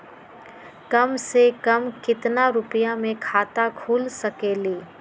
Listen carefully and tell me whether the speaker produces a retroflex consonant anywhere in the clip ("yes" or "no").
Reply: no